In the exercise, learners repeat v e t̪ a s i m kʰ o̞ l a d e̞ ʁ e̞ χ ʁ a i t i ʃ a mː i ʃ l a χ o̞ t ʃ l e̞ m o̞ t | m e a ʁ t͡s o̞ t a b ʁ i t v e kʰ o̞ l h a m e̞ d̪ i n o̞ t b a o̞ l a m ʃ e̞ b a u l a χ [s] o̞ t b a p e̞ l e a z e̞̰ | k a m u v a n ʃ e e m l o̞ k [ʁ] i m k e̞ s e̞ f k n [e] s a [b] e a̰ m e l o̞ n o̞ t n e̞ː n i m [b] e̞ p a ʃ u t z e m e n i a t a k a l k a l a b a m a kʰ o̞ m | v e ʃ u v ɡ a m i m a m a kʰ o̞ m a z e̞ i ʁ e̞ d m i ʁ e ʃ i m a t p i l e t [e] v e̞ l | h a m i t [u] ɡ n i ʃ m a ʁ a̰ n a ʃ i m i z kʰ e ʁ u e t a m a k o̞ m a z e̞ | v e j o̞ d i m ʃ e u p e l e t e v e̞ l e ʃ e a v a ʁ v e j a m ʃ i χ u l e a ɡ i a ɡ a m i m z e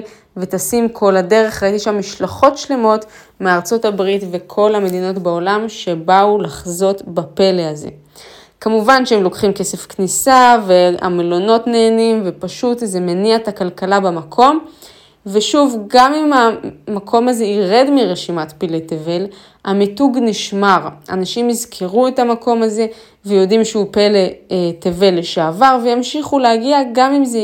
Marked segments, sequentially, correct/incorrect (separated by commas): incorrect, incorrect, incorrect, incorrect, incorrect, correct, correct